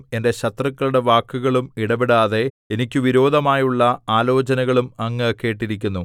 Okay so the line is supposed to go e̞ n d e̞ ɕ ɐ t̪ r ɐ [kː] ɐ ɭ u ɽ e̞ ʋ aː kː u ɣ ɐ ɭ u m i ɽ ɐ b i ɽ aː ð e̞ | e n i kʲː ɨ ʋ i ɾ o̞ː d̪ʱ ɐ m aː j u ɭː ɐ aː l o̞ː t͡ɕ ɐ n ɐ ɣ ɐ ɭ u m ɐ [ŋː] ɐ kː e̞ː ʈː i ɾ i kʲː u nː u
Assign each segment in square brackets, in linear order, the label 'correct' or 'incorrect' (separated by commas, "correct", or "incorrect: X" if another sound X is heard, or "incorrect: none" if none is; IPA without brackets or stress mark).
correct, correct